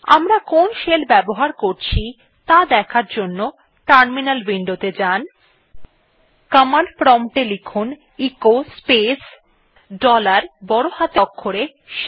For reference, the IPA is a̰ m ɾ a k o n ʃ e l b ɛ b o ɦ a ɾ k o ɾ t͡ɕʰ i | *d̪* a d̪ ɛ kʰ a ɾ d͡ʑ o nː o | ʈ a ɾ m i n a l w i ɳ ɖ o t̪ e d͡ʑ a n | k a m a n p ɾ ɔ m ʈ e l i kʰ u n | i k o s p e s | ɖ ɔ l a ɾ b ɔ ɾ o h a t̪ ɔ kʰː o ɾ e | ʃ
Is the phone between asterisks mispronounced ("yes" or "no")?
yes